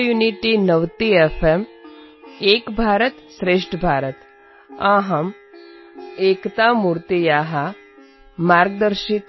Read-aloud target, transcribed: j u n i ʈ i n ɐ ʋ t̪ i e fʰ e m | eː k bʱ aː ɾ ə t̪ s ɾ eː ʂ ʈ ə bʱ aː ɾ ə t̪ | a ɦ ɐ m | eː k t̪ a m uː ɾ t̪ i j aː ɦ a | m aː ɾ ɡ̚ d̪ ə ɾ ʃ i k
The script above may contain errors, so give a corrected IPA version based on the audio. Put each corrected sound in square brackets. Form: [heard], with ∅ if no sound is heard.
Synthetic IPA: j u n i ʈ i n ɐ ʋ t̪ i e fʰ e m | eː k bʱ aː ɾ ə t̪ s ɾ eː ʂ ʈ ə bʱ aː ɾ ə t̪ | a ɦ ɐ m | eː k t̪ a m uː ɾ t̪ i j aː ɦ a | m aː ɾ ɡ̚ d̪ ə ɾ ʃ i k